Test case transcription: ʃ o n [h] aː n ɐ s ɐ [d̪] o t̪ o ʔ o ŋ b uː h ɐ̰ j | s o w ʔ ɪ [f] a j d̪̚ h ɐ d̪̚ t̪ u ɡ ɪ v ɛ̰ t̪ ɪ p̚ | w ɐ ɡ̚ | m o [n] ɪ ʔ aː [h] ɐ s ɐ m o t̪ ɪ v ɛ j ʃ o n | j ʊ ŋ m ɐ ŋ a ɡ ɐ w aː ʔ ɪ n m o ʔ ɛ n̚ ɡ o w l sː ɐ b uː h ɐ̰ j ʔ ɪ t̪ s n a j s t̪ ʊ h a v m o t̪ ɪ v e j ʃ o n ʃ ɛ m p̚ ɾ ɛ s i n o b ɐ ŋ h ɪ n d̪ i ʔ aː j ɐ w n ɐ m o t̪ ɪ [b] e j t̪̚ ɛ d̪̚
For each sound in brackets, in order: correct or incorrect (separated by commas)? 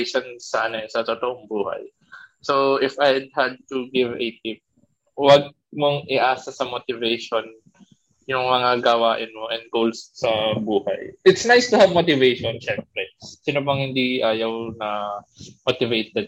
incorrect, incorrect, correct, incorrect, incorrect, incorrect